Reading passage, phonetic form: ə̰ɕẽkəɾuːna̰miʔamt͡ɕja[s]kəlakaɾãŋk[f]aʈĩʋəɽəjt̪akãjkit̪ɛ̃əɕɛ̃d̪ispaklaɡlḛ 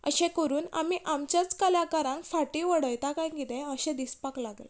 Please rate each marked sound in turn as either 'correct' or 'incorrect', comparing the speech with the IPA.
incorrect: t͡s, correct

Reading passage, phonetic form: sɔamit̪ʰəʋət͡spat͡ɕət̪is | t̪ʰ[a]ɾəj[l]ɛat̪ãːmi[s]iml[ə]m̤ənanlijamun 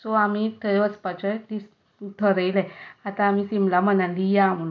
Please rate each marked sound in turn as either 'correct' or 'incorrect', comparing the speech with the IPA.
incorrect: ə, correct, correct, incorrect: a

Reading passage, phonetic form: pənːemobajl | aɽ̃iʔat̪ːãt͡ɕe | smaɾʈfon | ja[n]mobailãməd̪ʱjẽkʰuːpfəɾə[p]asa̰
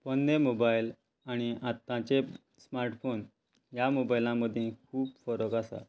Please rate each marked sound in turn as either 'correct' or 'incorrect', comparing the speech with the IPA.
incorrect: none, incorrect: k

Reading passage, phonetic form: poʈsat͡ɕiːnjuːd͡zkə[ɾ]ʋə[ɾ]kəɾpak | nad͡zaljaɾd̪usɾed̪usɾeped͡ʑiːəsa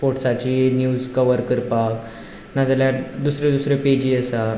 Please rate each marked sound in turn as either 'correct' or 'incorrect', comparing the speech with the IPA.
incorrect: none, correct

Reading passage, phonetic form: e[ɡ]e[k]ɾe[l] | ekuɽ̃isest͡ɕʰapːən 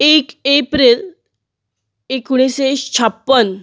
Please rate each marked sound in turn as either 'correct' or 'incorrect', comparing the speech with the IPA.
incorrect: k, incorrect: p, correct

